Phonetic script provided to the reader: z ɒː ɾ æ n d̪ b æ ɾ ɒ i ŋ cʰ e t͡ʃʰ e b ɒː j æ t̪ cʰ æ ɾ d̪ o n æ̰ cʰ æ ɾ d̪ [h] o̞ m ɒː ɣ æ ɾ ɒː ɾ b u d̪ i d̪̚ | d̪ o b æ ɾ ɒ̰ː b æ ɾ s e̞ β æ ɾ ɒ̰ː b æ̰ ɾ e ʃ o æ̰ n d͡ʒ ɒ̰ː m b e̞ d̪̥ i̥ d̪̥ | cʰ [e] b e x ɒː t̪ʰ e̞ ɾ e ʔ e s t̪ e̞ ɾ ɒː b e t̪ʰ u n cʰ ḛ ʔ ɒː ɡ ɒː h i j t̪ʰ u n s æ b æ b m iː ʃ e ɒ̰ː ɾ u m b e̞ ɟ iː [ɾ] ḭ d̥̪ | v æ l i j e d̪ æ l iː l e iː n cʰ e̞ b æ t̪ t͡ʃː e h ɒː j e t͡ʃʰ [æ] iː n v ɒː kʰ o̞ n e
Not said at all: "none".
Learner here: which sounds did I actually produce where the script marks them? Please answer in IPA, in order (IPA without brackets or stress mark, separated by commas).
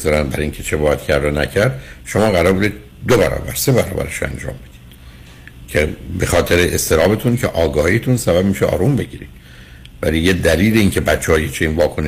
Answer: ʃ, e, ɾ, e